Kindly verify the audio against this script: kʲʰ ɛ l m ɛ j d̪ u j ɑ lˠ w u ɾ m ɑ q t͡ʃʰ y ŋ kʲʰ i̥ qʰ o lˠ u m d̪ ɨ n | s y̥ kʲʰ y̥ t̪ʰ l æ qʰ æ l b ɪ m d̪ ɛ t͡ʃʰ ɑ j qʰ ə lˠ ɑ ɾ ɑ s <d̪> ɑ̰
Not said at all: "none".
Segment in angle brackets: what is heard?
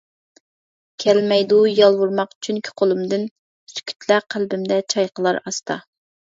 t̪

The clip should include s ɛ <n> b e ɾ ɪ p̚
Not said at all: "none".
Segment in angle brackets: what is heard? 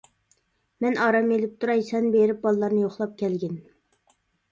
n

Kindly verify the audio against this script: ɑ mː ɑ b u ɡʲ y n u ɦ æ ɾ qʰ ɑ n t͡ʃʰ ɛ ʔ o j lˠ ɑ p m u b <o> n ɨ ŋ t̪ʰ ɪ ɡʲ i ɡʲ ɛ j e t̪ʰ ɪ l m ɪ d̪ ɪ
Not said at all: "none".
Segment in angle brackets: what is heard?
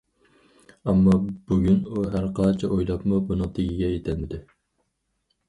u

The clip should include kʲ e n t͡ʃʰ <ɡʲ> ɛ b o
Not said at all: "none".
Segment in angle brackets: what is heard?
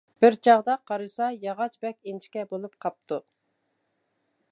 kʲ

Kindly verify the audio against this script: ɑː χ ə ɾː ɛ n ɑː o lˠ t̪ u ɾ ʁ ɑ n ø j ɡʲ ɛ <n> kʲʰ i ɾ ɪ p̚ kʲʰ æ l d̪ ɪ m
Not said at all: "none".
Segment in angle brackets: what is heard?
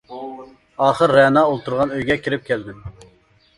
none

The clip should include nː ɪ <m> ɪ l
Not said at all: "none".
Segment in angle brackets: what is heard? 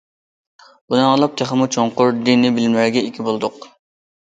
b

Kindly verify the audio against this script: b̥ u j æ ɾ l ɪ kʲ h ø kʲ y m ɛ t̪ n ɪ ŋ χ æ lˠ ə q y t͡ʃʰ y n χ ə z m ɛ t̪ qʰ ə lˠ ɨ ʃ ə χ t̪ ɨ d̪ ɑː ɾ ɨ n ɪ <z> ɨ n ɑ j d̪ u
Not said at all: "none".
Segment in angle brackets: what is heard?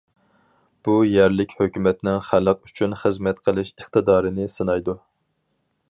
s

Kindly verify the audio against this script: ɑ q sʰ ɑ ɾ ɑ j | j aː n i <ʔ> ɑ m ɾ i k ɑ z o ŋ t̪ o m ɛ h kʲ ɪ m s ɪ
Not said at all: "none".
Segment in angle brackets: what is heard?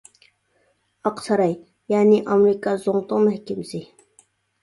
ʔ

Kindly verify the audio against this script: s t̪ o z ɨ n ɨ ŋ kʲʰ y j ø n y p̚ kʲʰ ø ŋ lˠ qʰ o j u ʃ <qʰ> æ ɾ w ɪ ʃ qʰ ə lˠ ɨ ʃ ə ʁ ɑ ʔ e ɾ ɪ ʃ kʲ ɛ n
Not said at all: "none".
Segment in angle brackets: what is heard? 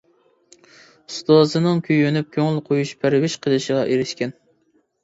pʰ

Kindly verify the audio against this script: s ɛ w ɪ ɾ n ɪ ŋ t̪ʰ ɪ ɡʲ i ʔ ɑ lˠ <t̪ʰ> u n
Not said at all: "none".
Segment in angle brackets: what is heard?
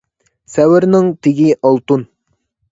t̪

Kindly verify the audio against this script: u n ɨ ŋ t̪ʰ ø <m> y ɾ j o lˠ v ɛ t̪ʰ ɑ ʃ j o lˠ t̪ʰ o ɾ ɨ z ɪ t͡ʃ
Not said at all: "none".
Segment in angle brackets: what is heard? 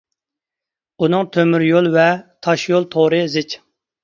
m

